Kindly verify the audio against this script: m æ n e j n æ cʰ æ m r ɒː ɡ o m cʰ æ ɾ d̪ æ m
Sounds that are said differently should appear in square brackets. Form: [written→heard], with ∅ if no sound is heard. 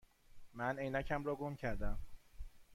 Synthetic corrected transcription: m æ n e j n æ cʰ æ m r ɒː ɡ o m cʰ æ ɾ d̪ æ m